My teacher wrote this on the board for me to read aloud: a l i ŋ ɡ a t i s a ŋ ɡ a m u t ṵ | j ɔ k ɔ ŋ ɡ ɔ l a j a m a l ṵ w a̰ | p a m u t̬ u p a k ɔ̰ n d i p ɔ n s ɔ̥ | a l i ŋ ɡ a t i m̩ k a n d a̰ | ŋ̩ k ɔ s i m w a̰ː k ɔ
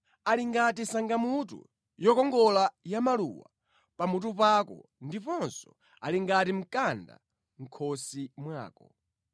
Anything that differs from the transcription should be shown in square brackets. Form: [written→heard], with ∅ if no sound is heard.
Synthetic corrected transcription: a l i ŋ ɡ a t i s a ŋ ɡ a m u t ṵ | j ɔ k ɔ ŋ ɡ ɔ l a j a m a l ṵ w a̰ | p a m u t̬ u p a k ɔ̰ n d i p ɔ n s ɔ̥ | a l i ŋ ɡ a t i m̩ k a n d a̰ | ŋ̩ [k→kʰ] ɔ s i m w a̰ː k ɔ